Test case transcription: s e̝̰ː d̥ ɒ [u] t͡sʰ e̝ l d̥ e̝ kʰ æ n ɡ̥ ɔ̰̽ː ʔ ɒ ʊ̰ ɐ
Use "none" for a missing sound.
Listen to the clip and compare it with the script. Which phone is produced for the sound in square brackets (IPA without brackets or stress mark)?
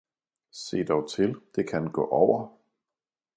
ʊ